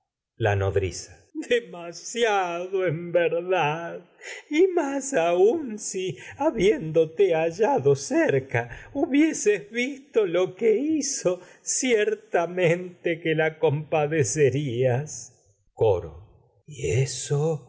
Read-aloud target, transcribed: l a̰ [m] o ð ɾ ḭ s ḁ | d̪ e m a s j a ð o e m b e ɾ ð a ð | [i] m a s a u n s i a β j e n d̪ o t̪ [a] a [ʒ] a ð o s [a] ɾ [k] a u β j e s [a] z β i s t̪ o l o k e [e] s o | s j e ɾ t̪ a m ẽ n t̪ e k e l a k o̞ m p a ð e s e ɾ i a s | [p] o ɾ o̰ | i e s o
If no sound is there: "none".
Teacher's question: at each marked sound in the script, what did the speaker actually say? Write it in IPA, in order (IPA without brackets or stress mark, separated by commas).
n, i, e, ʒ, e, k, e, i, k